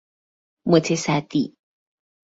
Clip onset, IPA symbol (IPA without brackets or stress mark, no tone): m